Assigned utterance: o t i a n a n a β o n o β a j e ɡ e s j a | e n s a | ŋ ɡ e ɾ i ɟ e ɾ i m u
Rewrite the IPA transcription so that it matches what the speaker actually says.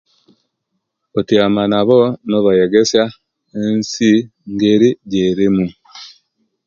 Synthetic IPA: o t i a m a n a β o n o β a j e ɡ e s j a | e n s i | ŋ ɡ e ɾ i ɟ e ɾ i m u